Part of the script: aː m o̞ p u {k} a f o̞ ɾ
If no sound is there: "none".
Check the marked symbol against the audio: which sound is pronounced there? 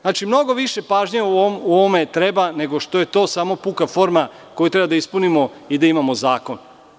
k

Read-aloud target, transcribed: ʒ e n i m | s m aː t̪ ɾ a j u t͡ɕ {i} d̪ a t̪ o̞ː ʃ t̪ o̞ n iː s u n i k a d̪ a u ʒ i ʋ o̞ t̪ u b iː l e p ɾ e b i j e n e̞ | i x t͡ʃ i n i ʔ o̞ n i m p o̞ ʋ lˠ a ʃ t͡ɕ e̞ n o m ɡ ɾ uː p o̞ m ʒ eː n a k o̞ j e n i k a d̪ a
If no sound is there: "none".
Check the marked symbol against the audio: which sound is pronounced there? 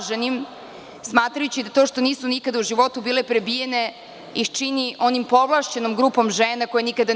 i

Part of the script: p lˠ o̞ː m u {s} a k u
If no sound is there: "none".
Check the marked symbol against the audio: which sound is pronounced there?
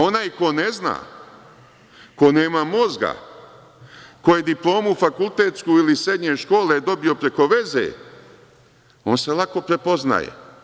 f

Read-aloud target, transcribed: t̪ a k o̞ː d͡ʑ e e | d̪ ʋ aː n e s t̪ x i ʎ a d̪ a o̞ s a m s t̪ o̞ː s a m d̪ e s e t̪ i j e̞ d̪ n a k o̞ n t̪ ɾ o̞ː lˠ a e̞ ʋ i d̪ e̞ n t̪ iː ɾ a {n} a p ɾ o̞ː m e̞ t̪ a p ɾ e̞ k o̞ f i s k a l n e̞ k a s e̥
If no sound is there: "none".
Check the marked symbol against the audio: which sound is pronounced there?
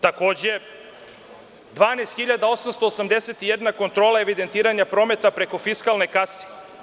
ɲ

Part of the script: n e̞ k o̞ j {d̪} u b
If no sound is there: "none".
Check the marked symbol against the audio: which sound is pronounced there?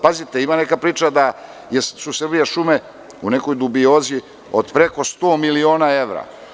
d̪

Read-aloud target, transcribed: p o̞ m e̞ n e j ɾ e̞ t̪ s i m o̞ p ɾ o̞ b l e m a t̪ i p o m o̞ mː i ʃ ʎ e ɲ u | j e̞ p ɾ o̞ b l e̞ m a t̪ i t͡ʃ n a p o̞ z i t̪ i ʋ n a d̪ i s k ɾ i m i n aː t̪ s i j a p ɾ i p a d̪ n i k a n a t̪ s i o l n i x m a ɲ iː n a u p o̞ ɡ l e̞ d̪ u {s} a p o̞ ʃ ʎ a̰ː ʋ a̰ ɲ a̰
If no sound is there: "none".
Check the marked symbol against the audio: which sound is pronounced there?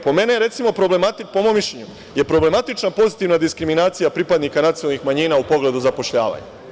z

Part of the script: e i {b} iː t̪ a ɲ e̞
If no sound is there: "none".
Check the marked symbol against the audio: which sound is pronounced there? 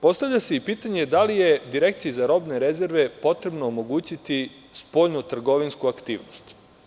p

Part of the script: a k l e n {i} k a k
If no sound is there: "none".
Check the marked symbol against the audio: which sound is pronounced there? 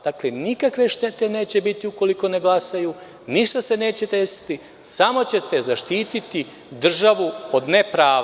i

